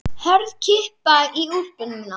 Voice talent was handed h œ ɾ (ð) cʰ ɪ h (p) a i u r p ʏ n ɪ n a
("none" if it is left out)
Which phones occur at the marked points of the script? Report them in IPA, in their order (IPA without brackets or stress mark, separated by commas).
ð, p